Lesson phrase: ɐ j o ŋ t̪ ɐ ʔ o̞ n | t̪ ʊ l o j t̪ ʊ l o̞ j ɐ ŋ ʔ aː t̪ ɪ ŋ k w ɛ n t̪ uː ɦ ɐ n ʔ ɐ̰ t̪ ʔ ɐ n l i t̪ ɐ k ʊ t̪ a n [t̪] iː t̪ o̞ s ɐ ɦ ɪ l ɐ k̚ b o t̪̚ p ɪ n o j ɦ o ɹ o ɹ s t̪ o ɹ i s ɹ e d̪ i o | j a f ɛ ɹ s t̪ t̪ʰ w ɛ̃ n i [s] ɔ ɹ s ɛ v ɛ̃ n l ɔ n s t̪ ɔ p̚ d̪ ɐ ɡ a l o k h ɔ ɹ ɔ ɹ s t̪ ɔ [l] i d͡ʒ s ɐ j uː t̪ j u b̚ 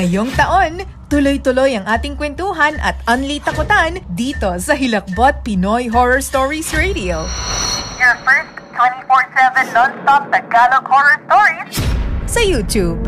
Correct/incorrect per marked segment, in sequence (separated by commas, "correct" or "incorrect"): incorrect, incorrect, incorrect